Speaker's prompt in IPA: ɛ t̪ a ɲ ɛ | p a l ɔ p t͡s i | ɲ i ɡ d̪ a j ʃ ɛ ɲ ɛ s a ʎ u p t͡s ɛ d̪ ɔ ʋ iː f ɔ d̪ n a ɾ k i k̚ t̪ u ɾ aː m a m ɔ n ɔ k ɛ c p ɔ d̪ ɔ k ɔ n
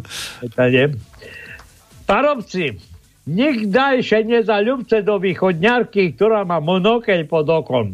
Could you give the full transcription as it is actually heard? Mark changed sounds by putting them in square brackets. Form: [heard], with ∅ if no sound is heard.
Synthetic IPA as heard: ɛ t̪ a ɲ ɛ | p a [ɾ] ɔ p t͡s i | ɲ i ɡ d̪ a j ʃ ɛ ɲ ɛ [z] a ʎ u p t͡s ɛ d̪ ɔ ʋ iː [x] ɔ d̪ [ɲ] a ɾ k i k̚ t̪ [ɔ] ɾ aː m a m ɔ n ɔ k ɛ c p ɔ d̪ ɔ k ɔ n